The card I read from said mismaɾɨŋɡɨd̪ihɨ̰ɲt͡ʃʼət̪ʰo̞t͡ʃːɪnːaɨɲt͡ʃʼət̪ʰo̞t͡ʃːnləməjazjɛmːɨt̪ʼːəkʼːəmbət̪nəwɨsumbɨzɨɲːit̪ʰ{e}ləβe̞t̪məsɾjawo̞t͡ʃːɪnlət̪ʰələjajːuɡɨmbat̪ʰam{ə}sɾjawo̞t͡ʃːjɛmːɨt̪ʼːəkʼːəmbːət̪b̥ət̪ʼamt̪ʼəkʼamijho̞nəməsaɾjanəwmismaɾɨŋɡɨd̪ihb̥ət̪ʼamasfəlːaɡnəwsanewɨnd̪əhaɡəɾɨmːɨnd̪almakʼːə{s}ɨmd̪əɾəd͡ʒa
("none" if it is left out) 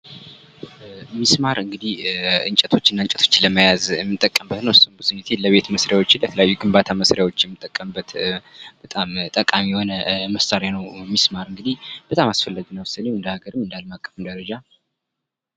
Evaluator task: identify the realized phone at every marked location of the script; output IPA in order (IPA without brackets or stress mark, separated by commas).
e, ə, f